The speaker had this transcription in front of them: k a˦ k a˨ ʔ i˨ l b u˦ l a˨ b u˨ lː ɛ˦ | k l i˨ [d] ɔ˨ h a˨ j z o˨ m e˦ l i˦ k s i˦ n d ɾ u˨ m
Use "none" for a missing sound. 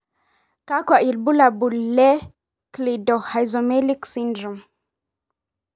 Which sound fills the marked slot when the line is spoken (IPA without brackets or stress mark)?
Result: d